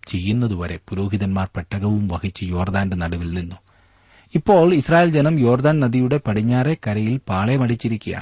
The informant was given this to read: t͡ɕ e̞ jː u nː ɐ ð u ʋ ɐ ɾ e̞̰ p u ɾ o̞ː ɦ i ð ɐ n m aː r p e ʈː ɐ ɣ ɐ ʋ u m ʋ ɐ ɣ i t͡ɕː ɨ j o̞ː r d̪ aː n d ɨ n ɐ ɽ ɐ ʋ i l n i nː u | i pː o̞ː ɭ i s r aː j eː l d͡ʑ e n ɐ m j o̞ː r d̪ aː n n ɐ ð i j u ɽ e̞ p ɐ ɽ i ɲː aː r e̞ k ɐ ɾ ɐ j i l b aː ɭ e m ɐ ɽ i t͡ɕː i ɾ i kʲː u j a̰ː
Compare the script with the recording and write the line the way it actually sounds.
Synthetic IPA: t͡ɕ e̞ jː u nː ɐ ð u ʋ ɐ ɾ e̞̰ p u ɾ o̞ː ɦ i ð ɐ n m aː r p e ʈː ɐ ɣ ɐ ʋ u m ʋ ɐ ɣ i t͡ɕː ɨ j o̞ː r d̪ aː n d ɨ n ɐ ɽ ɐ ʋ i l n i nː u | i pː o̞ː ɭ i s r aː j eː l d͡ʑ e n ɐ m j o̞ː r d̪ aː n n ɐ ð i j u ɽ e̞ p ɐ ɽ i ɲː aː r e̞ k ɐ ɾ ɐ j i l p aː ɭ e m ɐ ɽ i t͡ɕː i ɾ i kʲː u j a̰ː